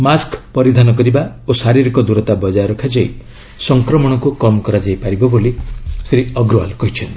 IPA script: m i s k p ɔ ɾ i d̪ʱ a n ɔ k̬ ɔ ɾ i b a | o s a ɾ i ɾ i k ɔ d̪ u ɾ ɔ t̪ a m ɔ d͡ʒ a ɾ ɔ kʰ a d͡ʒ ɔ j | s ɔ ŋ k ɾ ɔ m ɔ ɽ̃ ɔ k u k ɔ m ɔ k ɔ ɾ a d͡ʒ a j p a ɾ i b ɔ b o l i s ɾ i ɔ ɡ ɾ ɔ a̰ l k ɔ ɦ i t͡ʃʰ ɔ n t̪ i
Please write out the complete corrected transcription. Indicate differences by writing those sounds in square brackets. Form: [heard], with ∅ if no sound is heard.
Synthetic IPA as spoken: m [a] s k p ɔ ɾ i d̪ʱ a n ɔ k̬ ɔ ɾ i b a | o s a ɾ i ɾ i k ɔ d̪ u ɾ ɔ t̪ a [b] ɔ d͡ʒ a ɾ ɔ kʰ a d͡ʒ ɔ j | s ɔ ŋ k ɾ ɔ m ɔ ɽ̃ ɔ k u k ɔ m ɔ k ɔ ɾ a d͡ʒ a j p a ɾ i b ɔ b o l i s ɾ i ɔ ɡ ɾ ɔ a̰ l k ɔ ɦ i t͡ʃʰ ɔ n t̪ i